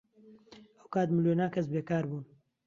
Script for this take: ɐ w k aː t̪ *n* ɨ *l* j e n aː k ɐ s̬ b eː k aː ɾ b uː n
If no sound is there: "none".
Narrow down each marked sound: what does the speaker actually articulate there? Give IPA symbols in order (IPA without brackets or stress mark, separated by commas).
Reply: m, l